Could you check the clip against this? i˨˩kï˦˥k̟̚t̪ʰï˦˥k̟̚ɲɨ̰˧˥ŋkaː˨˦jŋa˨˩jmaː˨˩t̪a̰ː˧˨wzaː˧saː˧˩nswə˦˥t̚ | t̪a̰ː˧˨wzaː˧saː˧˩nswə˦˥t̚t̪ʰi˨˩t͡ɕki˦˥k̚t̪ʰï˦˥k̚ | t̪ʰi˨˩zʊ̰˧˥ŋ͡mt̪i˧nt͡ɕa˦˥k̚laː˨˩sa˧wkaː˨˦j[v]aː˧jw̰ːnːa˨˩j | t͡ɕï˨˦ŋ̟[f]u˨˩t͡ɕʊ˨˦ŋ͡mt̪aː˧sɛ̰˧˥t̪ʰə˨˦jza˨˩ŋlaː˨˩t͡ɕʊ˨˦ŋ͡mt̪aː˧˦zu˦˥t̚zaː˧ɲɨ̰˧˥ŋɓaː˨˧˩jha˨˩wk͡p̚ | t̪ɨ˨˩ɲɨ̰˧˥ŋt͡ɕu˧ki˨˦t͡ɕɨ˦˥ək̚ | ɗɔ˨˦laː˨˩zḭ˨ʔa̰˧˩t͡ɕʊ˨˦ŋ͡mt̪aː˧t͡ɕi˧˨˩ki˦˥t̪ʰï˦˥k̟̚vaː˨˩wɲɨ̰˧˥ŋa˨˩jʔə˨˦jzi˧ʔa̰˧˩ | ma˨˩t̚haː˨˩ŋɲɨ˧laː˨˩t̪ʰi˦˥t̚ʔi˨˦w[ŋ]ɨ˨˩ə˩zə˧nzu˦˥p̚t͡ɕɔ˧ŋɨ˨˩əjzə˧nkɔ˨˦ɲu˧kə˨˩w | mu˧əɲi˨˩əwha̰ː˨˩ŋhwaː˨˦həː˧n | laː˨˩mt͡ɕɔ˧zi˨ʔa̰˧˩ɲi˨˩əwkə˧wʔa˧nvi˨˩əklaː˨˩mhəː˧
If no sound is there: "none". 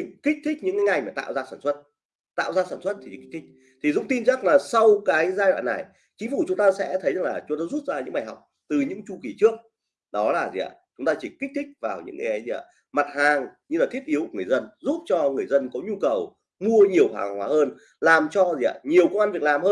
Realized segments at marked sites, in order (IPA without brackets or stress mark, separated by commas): z, f, ŋ